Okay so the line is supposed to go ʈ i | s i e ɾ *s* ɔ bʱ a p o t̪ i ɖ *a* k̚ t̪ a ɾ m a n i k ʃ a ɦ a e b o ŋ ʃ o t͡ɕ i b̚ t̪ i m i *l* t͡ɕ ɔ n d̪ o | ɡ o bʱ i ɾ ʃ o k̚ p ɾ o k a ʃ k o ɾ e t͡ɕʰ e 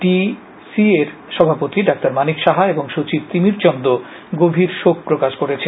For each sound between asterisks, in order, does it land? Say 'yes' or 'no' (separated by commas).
no, yes, no